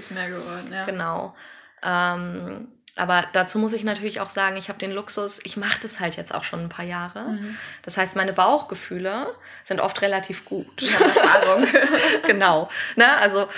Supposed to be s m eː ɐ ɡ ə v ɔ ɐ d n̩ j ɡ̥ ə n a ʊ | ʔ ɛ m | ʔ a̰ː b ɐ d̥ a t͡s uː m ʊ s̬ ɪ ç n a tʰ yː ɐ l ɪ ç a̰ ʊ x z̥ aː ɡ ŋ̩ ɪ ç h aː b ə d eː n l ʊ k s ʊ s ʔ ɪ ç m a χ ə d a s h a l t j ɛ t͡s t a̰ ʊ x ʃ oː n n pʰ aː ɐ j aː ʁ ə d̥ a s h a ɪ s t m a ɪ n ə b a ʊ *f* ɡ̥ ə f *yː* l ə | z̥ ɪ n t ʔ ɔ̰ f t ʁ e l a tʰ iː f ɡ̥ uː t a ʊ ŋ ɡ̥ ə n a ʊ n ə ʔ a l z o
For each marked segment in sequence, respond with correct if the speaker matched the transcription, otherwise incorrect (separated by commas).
incorrect, correct